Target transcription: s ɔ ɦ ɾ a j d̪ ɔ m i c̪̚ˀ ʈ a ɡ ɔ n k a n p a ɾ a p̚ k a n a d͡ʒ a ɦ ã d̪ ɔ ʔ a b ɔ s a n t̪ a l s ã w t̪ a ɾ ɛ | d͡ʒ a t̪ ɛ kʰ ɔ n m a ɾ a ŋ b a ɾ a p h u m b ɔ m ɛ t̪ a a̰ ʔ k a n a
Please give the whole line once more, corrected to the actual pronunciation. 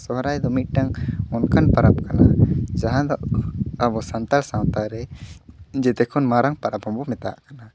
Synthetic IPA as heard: s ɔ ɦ ɾ a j d̪ ɔ m i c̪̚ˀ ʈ a ŋ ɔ n k a n p a ɾ a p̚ k a n a d͡ʒ a ɦ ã d̪ ɔ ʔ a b ɔ s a n t̪ a l s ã w t̪ a ɾ ɛ | d͡ʒ ɛ t̪ ɛ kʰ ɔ n m a ɾ a ŋ p a ɾ a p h ɔ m b ɔ m ɛ t̪ a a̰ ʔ k a n a